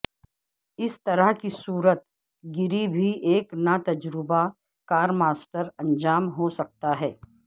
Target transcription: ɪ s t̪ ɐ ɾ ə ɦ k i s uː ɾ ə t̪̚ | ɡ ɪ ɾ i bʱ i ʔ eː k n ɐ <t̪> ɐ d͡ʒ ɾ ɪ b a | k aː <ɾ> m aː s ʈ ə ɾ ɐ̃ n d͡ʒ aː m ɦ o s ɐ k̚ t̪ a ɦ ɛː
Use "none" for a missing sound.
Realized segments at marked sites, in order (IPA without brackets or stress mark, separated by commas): t̪, ɾ